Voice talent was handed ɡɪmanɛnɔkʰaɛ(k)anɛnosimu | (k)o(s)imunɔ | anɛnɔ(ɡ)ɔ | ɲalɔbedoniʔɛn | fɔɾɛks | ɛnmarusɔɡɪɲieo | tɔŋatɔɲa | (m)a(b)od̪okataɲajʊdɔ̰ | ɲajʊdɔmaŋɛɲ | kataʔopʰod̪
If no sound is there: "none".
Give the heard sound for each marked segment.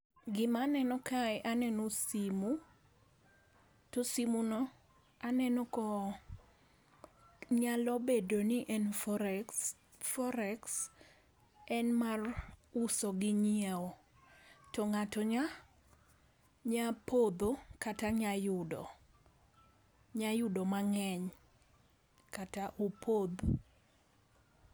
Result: ʔ, t, s, k, ɲ, p

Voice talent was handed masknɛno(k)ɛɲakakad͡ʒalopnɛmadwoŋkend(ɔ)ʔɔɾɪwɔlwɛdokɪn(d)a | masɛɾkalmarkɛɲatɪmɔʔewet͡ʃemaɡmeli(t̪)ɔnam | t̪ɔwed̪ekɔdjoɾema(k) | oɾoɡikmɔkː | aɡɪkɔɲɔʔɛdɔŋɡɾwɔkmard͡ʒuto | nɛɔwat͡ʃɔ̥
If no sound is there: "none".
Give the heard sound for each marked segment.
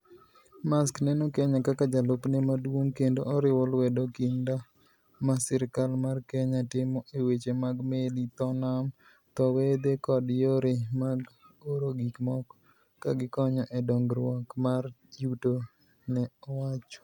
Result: k, o, d, t̪, ɡ

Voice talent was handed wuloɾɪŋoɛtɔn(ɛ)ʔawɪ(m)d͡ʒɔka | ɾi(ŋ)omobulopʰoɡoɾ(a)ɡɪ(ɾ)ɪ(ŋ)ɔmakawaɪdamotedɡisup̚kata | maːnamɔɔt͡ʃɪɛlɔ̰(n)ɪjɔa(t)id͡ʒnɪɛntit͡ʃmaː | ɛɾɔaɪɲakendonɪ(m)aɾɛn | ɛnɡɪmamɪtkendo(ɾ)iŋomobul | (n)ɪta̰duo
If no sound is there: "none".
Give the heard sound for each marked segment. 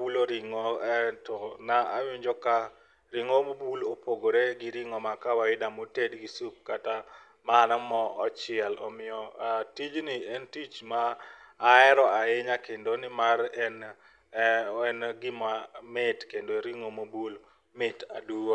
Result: a, ɲ, ŋ, e, ɾ, ŋ, m, t, m, ɾ, m

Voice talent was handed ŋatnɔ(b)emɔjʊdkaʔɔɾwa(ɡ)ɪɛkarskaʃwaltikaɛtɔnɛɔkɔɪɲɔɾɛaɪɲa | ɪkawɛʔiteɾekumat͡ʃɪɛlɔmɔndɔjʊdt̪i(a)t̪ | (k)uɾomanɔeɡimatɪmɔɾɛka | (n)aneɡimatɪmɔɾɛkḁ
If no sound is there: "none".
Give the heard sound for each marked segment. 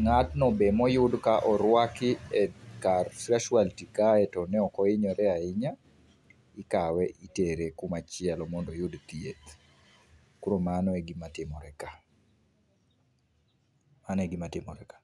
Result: b, k, e, k, m

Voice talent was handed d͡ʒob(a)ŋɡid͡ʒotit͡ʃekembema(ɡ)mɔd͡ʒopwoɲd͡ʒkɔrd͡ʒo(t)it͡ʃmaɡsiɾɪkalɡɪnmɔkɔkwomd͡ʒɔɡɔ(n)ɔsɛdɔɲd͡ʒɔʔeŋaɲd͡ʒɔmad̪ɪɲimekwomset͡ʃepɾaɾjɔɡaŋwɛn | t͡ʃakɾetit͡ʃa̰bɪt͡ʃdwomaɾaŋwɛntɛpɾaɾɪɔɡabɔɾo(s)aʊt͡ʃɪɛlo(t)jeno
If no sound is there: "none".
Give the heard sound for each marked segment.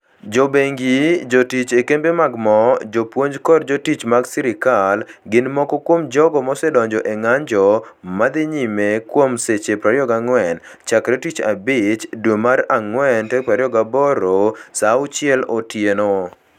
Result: e, ɡ, t, m, s, t

